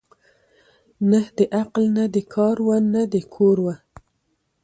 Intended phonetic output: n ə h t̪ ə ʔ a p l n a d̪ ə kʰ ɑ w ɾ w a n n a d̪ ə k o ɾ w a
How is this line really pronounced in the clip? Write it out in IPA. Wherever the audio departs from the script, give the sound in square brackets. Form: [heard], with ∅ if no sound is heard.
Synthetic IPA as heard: n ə h [d̪] ə ʔ a [q] l n a d̪ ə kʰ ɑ [∅] ɾ w a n n a d̪ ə [kʰ] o ɾ w a